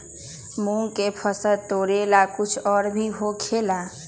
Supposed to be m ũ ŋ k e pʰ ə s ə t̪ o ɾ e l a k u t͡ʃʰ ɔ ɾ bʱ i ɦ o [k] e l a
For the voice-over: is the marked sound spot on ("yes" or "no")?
no